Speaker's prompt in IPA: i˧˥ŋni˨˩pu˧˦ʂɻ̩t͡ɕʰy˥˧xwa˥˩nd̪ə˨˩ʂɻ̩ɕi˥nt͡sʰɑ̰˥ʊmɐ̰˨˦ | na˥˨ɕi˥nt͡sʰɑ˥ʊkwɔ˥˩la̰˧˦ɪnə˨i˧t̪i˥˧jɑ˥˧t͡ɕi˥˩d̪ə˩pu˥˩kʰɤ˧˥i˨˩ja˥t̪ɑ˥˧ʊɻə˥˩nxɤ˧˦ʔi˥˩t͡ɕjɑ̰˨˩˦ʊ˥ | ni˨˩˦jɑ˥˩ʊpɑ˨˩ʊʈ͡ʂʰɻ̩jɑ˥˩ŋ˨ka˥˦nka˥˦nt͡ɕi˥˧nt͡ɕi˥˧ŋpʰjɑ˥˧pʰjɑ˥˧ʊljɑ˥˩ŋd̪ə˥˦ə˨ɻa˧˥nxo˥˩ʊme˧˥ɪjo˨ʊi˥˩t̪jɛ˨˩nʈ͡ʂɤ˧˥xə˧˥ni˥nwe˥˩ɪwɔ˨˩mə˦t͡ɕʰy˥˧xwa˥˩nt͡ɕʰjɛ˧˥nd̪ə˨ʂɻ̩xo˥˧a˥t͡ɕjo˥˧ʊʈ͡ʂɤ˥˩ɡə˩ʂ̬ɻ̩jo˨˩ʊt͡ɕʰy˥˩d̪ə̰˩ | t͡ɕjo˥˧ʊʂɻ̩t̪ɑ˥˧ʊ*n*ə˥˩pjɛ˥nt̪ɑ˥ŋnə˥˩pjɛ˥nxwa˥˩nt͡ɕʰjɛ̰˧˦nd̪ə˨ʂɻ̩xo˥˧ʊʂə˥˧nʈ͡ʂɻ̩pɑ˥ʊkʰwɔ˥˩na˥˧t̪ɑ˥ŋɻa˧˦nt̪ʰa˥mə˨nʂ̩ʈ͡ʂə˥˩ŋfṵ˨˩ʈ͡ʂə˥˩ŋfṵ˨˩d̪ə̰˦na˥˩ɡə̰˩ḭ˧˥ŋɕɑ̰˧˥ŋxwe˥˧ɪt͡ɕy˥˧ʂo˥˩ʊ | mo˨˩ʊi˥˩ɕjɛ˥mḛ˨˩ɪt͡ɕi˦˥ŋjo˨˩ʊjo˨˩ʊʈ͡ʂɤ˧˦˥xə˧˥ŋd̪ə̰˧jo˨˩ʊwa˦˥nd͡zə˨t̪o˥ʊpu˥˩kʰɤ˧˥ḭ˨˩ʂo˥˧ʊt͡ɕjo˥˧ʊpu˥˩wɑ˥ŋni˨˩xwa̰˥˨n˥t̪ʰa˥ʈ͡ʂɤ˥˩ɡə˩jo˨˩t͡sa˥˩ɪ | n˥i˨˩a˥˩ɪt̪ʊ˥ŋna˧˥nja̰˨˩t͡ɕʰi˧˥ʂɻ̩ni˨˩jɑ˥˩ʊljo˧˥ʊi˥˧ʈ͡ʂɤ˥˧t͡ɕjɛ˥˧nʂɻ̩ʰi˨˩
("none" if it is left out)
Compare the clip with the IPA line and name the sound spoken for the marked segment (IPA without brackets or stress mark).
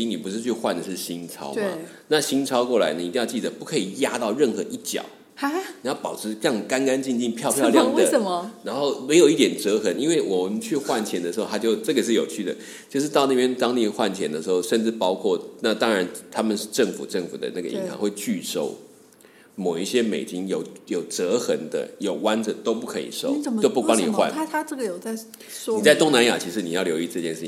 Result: n